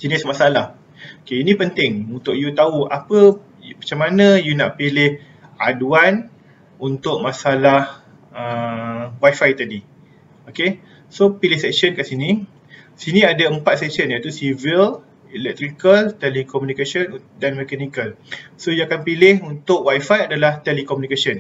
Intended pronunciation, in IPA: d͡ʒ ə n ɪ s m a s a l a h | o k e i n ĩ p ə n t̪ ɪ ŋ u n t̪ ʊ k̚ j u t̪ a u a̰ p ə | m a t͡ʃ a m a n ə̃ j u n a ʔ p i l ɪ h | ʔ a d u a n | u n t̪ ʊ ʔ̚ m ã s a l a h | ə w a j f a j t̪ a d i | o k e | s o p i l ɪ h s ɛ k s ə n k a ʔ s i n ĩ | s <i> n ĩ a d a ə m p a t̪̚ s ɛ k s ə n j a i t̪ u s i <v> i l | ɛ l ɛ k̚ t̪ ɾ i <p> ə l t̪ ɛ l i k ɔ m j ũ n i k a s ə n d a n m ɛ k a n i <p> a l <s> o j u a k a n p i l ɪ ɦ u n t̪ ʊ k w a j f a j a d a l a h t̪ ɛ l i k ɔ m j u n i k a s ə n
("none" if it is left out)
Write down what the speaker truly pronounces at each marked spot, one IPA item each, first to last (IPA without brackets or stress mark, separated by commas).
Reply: i, v, k, k, s